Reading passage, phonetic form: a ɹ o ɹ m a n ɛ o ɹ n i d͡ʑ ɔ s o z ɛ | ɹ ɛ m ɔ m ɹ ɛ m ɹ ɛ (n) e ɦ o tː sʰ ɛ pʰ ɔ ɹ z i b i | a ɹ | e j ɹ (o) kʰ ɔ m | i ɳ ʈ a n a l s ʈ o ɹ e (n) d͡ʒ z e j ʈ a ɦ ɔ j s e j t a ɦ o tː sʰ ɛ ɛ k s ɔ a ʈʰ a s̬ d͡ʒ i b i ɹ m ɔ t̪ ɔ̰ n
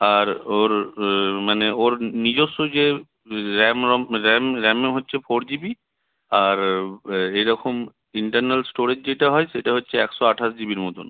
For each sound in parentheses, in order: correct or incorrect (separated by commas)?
incorrect, incorrect, incorrect